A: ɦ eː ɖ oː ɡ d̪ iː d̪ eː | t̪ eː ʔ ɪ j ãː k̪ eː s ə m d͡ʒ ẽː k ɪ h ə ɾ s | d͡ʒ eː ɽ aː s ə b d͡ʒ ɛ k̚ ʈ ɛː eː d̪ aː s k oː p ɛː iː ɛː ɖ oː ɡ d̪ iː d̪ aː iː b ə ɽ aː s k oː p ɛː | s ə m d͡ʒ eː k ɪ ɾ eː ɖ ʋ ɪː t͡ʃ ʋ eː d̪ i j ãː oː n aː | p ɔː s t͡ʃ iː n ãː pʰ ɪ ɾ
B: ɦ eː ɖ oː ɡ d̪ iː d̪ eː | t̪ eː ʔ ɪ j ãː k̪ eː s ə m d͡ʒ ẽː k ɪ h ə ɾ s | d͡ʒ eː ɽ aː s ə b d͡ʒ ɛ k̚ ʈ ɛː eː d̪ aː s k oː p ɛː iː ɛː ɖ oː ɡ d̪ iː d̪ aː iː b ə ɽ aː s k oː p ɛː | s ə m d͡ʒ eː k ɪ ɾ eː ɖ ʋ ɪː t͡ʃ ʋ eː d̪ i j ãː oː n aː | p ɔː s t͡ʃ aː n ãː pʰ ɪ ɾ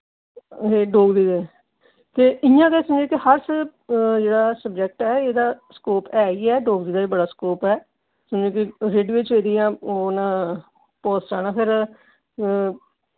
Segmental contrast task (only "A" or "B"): B